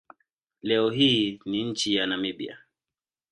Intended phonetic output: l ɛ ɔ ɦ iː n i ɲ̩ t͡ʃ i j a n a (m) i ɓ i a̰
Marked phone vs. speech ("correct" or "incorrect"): correct